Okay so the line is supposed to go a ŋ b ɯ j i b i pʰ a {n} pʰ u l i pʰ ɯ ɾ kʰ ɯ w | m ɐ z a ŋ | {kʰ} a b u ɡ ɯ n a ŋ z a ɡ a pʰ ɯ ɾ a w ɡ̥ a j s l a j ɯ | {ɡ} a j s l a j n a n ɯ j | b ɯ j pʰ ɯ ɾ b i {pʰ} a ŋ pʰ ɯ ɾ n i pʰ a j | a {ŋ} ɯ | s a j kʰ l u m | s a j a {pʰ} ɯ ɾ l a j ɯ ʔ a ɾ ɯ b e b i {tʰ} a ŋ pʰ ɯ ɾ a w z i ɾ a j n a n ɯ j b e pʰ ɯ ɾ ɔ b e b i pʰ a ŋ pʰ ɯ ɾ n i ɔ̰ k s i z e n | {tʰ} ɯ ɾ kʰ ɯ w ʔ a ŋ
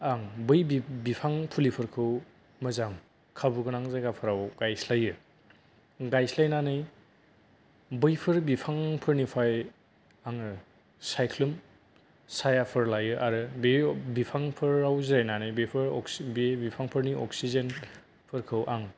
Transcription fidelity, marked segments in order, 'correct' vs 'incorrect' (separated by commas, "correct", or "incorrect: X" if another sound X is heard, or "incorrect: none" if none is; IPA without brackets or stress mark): incorrect: ŋ, correct, correct, correct, correct, correct, incorrect: pʰ, incorrect: pʰ